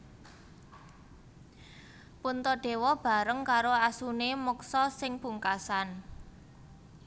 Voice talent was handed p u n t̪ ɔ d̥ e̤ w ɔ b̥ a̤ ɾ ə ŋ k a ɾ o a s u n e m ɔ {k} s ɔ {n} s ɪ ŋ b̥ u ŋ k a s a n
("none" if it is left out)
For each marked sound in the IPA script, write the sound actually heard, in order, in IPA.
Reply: k, none

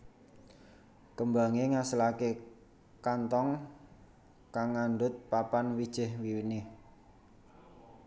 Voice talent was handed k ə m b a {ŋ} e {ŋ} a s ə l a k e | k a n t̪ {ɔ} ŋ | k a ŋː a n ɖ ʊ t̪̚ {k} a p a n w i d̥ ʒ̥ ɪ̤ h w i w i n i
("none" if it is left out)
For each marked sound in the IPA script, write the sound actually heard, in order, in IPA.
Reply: ŋ, ŋ, ɔ, p

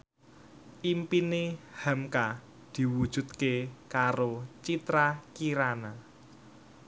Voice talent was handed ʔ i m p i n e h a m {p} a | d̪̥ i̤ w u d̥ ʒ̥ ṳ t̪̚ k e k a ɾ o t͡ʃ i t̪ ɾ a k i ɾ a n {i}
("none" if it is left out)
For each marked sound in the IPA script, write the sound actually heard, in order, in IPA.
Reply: k, a

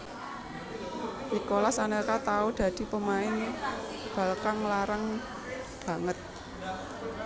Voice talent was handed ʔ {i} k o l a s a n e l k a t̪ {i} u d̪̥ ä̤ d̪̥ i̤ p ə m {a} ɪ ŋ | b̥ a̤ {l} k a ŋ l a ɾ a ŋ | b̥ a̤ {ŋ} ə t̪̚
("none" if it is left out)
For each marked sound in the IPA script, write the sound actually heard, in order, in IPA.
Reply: i, a, a, l, ŋ

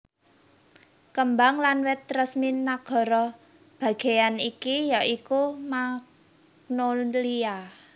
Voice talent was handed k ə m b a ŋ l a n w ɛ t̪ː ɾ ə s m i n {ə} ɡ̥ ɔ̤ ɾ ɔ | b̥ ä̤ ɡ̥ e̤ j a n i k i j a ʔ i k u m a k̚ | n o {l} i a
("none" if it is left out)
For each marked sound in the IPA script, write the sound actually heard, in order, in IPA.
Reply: a, l

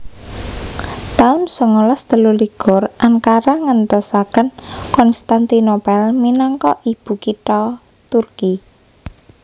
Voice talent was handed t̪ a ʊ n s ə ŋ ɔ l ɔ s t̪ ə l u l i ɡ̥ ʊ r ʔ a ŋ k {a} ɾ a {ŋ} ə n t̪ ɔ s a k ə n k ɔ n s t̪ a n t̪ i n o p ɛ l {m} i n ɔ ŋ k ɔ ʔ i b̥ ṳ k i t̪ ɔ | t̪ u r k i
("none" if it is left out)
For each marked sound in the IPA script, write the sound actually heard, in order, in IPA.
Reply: a, ŋ, m

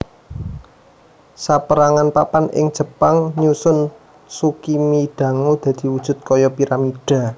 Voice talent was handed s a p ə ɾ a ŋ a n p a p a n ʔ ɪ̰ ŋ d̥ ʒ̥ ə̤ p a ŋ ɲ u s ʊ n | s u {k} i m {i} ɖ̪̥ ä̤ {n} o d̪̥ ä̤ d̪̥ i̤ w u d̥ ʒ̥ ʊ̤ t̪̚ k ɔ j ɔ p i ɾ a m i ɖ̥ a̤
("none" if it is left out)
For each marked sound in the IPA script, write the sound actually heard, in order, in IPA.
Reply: k, i, ŋ

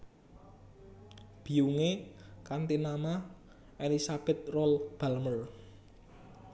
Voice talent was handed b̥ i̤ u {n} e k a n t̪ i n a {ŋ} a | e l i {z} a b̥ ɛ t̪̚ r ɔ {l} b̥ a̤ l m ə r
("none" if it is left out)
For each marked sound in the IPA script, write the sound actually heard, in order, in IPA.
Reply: ŋ, m, s, l

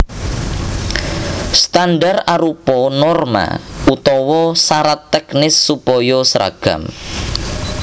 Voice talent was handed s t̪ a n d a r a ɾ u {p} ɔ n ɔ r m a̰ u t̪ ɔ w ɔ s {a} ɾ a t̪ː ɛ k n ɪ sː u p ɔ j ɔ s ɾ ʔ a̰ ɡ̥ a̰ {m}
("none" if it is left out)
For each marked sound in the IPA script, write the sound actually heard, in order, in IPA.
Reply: p, a, m

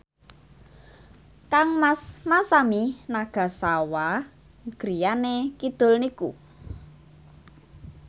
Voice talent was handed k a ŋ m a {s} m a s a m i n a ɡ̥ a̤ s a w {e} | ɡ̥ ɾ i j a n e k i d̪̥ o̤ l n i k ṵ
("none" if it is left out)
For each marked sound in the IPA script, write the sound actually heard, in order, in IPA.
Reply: s, a

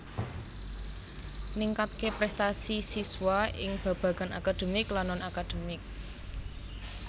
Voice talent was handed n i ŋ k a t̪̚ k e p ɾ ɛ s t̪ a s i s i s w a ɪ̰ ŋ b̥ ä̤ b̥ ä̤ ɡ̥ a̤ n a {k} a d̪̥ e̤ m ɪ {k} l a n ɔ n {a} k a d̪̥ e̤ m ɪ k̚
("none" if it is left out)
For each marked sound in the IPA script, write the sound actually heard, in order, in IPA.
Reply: k, k, a

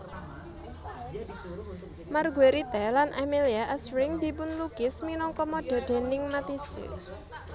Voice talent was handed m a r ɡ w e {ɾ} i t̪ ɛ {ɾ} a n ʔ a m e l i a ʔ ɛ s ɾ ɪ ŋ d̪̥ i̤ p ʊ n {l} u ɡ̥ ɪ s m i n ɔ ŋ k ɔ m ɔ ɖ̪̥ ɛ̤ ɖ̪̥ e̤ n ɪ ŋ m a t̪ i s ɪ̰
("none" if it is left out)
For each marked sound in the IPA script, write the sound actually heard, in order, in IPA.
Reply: ɾ, l, l

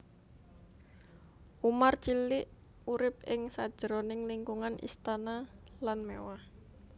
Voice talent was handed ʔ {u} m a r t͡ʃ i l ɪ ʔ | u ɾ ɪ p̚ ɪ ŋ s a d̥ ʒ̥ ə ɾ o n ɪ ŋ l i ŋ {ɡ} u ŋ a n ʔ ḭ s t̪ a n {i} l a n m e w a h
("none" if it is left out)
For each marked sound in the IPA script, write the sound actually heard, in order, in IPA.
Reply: u, k, a

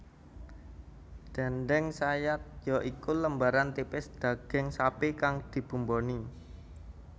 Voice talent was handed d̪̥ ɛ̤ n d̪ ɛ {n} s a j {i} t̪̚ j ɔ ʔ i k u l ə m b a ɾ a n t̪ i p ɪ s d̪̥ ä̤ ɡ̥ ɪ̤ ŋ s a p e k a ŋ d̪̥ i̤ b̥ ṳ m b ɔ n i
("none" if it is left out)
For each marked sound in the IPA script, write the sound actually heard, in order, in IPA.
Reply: ŋ, a

